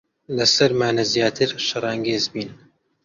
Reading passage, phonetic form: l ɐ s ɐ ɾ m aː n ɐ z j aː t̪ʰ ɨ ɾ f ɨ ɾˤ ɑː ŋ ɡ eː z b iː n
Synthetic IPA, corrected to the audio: l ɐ s ɐ ɾ m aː n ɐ z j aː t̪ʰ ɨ ɾ ʃ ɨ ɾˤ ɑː ŋ ɡ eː z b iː n